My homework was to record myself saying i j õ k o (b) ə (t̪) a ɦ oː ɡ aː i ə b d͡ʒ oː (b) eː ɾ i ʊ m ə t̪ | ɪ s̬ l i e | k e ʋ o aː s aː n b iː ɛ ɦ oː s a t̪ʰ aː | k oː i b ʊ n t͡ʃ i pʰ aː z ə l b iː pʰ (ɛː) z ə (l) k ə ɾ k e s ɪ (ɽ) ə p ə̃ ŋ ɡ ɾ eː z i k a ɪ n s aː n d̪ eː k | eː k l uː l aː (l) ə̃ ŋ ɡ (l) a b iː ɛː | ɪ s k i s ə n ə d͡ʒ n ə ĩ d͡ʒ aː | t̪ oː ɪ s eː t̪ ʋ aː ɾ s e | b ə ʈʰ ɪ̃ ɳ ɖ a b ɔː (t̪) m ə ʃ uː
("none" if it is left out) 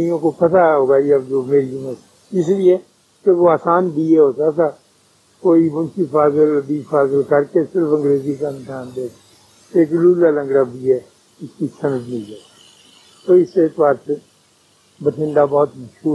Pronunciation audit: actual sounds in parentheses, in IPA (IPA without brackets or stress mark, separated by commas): p, t̪, m, aː, l, ɾ, l, ɽ, t̪